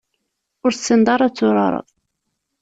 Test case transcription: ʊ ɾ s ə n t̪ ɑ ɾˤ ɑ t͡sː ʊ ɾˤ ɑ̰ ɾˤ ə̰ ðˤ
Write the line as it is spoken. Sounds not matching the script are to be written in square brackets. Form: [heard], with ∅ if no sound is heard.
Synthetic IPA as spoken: ʊ ɾ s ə n [d̪] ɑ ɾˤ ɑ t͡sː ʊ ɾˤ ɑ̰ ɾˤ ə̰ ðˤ